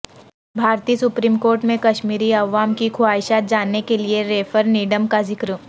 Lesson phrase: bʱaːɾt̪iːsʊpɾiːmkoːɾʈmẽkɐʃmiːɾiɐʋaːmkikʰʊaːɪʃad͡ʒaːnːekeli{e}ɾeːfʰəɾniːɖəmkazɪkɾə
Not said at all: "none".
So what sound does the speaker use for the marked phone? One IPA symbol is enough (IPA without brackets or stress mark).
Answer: e